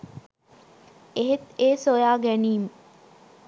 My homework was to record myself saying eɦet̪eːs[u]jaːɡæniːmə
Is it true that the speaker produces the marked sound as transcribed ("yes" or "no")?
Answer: no